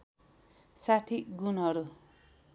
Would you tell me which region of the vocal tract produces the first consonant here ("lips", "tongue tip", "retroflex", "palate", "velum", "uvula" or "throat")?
tongue tip